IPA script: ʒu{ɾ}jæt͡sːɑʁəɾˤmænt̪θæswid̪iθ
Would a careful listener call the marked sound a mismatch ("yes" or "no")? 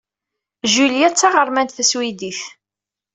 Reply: yes